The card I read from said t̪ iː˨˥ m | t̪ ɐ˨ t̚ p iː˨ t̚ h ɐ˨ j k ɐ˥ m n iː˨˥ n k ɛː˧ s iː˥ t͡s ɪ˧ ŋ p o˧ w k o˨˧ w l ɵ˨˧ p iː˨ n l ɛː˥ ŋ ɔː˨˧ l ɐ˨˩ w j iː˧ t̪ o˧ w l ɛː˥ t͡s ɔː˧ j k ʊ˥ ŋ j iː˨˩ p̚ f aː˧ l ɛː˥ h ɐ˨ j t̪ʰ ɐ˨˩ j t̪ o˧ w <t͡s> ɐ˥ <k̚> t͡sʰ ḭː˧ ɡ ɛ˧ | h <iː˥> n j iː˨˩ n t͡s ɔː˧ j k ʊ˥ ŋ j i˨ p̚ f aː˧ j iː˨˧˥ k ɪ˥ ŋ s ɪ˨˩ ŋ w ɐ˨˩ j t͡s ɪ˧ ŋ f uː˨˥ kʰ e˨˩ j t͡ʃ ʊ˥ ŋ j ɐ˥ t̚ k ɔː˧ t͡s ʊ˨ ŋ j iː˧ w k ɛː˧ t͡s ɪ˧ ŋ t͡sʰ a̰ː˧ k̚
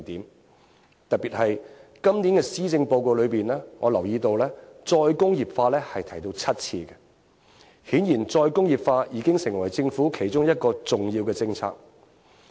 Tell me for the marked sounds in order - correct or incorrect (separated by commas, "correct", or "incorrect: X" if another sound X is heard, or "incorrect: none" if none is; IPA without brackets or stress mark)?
incorrect: t͡sʰ, incorrect: t̚, incorrect: iː˨˥